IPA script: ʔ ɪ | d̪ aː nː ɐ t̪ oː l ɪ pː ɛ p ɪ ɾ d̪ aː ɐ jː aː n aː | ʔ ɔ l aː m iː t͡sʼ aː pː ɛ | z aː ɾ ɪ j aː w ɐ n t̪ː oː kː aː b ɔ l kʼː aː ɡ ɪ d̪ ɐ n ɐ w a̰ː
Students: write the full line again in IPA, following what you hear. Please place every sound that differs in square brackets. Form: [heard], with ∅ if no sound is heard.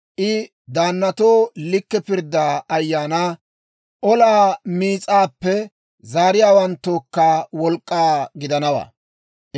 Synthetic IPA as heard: ʔ ɪ | d̪ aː nː ɐ t̪ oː l ɪ [kː] ɛ p ɪ ɾ d̪ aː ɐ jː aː n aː | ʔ ɔ l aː m iː t͡sʼ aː pː ɛ | z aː ɾ ɪ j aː w ɐ n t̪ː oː kː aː [w] ɔ l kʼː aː ɡ ɪ d̪ ɐ n ɐ w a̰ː